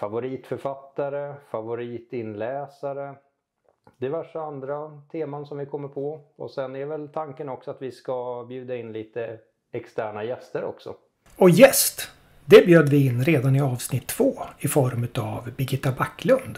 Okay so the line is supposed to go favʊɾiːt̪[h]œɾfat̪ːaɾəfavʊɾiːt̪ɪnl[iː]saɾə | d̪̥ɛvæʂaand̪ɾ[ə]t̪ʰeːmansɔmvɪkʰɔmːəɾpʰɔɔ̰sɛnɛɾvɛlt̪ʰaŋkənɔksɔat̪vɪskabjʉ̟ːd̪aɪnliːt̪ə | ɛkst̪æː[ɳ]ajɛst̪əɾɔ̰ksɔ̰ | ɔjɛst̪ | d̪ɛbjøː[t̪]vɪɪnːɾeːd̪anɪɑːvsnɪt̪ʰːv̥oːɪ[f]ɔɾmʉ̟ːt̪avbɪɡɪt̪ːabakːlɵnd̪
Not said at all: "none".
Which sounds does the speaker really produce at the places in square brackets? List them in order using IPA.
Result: f, ɛː, a, ɳ, d̪, f

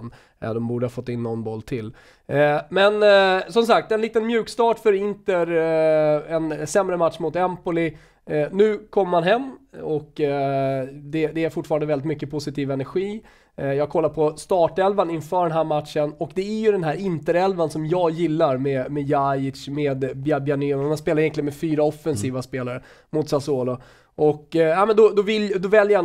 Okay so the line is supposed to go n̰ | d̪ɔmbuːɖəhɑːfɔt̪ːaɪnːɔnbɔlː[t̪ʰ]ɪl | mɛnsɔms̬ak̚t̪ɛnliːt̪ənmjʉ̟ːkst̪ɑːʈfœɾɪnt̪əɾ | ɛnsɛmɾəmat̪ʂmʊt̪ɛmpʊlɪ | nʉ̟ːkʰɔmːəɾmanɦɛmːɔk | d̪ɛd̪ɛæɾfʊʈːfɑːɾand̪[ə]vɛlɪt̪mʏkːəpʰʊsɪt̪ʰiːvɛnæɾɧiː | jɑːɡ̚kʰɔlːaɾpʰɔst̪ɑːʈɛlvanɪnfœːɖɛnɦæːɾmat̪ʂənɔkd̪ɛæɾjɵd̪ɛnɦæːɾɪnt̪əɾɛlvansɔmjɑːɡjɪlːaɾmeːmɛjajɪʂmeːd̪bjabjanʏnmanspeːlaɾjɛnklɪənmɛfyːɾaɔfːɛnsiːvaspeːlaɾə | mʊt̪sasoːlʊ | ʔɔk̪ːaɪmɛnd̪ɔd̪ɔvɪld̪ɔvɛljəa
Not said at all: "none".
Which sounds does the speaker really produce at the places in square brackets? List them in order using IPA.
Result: t̪ʰ, ə

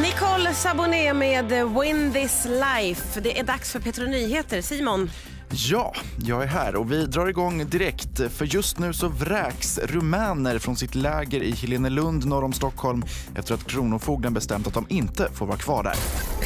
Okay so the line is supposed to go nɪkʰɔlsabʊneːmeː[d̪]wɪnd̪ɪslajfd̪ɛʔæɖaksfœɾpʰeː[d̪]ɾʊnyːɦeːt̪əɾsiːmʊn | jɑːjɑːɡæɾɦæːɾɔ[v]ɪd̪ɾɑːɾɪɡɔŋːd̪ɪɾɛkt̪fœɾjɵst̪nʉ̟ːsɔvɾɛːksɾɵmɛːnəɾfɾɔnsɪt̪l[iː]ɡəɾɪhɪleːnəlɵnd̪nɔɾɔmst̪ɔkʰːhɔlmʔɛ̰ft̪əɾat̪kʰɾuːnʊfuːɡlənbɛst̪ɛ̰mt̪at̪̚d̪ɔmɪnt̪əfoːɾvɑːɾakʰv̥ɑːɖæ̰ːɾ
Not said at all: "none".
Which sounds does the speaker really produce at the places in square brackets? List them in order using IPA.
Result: d̪, t̪, v, ɛː

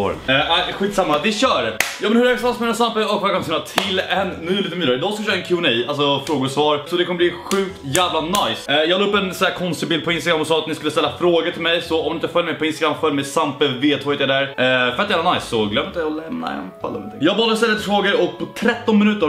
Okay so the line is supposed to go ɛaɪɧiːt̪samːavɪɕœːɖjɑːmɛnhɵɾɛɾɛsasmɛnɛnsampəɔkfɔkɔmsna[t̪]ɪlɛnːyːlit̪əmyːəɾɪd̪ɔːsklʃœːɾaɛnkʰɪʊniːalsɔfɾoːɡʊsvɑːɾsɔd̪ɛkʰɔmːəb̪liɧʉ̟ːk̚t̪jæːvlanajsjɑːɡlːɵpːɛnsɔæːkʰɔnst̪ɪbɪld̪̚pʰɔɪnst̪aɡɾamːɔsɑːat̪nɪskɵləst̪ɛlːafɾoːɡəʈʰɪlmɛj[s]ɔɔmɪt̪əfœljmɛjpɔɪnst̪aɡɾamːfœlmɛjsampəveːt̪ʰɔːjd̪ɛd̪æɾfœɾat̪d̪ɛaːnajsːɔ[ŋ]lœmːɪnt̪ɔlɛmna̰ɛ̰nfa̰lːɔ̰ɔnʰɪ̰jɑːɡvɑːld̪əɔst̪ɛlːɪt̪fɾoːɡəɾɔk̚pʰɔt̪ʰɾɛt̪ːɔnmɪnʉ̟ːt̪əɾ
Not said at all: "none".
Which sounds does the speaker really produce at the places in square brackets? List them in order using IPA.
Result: t̪ʰ, s, ɡ

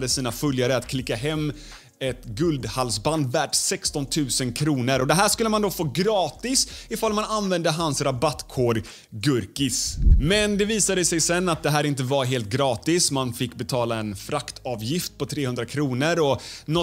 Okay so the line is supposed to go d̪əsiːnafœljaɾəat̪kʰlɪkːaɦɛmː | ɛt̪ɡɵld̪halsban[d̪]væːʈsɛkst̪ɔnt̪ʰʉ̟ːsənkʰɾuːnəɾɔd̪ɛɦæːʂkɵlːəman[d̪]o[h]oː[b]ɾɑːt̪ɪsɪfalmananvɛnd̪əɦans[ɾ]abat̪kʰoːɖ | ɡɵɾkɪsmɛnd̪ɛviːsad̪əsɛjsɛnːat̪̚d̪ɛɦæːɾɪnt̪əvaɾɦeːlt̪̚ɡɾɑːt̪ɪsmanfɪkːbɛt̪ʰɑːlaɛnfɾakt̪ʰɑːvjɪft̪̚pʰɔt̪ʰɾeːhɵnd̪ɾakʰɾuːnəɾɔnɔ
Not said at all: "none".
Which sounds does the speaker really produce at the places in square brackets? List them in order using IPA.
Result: d̪, d̪, f, ɡ, ɾ

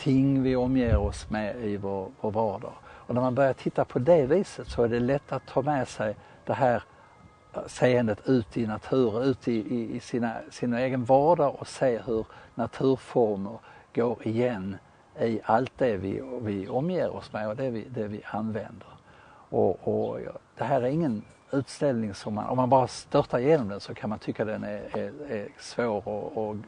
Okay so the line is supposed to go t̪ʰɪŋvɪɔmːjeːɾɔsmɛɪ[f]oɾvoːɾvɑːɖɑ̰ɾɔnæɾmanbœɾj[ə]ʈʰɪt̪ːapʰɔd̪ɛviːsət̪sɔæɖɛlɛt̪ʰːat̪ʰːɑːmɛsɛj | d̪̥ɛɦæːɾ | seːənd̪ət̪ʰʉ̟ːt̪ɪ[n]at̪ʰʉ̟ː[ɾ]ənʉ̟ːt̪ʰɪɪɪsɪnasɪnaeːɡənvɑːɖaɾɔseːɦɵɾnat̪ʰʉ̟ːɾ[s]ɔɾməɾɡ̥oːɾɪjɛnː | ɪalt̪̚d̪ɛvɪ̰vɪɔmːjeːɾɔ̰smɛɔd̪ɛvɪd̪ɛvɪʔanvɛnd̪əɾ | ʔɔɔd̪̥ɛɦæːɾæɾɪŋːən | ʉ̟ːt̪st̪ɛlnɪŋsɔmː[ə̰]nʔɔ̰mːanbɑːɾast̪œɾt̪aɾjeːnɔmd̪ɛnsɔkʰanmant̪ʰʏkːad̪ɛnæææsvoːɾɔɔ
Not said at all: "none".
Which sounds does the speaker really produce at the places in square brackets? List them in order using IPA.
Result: v, a, n, ɾ, f, a̰

